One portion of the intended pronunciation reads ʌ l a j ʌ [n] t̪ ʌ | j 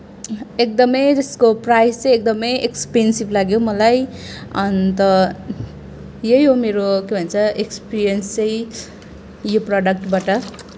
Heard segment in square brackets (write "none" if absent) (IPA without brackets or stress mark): n